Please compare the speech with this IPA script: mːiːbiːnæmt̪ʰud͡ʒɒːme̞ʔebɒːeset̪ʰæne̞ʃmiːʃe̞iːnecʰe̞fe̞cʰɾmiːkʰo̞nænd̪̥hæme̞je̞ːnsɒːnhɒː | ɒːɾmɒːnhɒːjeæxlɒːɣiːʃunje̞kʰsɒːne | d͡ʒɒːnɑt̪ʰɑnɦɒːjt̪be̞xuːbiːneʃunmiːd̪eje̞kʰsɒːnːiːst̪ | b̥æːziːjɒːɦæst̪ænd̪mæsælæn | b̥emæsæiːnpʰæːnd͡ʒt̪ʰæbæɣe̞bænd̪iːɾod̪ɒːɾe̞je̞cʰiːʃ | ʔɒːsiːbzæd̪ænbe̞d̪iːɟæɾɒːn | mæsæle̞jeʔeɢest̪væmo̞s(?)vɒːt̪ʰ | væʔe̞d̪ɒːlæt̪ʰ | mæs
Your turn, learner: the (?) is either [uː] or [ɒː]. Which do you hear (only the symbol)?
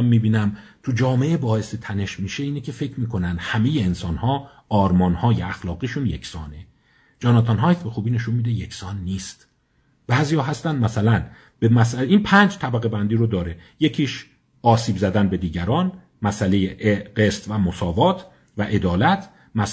ɒː